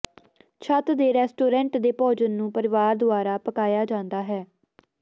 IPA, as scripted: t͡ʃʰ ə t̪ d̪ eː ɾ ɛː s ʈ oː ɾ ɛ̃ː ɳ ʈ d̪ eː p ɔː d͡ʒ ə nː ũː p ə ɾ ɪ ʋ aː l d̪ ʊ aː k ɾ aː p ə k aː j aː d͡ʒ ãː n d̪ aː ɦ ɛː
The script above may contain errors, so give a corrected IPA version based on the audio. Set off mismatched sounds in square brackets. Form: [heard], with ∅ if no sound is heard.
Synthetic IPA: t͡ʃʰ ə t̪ d̪ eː ɾ ɛː s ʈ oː ɾ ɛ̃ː ɳ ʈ d̪ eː p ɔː d͡ʒ ə nː ũː p ə ɾ ɪ ʋ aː [ɾ] d̪ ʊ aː [∅] ɾ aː p ə k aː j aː d͡ʒ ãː n d̪ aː ɦ ɛː